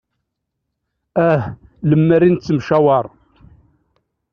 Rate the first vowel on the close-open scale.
open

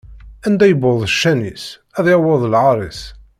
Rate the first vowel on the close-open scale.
open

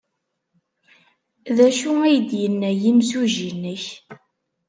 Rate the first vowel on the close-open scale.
open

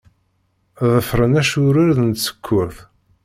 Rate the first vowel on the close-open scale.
mid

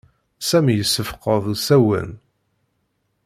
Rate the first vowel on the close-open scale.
open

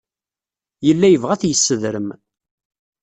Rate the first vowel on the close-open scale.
mid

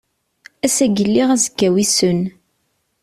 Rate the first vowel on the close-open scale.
open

